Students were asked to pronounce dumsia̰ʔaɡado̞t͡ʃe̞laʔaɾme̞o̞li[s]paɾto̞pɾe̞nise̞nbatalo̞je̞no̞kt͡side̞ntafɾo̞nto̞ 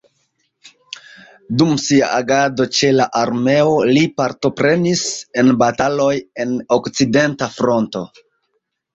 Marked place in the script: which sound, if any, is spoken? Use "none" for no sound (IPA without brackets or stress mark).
none